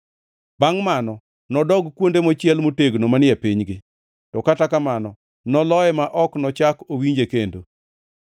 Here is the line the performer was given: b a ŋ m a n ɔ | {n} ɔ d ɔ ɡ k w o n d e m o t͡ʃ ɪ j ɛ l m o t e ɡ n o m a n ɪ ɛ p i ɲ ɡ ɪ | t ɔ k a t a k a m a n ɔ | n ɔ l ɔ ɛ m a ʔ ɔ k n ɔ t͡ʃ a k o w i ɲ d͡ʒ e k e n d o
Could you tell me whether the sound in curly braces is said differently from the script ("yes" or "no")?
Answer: no